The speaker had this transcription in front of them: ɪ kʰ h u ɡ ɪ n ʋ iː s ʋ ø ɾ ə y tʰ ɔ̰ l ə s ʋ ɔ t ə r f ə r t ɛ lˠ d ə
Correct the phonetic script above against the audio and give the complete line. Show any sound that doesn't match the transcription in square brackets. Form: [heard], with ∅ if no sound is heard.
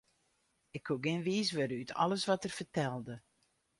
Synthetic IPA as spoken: ɪ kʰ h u ɡ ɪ n ʋ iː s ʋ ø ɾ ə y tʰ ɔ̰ l ə s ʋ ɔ t ə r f ə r t ɛ lˠ d ə